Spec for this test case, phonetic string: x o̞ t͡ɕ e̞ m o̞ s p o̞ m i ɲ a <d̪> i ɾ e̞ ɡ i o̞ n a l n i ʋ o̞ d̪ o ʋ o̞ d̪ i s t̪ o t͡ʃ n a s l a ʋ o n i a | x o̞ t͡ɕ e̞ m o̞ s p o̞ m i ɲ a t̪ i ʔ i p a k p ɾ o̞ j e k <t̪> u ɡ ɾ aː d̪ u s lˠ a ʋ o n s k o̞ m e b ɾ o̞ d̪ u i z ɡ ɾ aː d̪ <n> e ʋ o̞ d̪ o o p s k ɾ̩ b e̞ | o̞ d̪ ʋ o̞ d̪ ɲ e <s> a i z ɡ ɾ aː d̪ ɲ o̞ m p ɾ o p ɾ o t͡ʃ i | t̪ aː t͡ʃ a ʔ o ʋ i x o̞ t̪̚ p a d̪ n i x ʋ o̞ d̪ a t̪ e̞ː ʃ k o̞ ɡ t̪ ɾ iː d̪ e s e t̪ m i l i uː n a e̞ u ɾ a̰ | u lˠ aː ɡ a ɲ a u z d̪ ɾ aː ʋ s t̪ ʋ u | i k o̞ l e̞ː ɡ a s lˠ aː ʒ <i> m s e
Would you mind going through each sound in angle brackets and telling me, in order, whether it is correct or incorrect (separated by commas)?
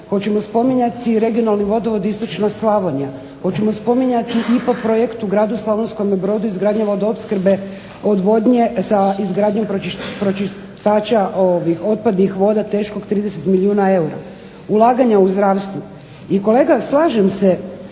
incorrect, correct, incorrect, correct, incorrect